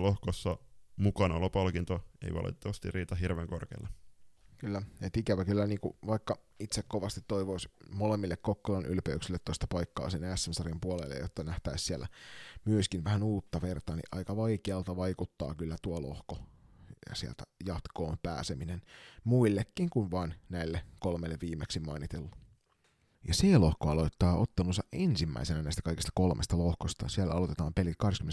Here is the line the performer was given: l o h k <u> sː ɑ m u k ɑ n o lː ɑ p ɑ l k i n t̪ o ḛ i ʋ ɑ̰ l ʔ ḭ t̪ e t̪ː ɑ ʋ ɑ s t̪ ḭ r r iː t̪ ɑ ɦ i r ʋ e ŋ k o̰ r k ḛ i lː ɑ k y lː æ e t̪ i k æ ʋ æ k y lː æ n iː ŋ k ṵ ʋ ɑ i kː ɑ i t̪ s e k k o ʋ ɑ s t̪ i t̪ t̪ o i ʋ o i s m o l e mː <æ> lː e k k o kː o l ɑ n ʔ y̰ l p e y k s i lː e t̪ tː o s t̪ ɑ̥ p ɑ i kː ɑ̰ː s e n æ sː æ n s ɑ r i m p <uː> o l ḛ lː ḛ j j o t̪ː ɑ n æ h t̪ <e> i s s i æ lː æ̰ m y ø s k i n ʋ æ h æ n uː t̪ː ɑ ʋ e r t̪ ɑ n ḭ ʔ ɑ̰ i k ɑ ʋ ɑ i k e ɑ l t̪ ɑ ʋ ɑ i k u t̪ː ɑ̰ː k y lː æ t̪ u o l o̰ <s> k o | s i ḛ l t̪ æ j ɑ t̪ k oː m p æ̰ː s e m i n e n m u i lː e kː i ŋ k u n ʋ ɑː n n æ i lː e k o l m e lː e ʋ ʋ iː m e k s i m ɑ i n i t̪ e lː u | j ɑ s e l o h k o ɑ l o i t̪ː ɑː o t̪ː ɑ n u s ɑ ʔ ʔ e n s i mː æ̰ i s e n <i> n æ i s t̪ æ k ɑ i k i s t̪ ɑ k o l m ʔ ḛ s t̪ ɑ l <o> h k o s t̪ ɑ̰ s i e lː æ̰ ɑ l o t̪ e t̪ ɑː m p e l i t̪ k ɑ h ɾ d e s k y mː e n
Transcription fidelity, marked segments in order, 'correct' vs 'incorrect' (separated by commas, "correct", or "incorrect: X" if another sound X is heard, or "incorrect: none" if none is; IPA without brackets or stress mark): incorrect: o, incorrect: i, incorrect: u, incorrect: æ, incorrect: h, incorrect: æ, correct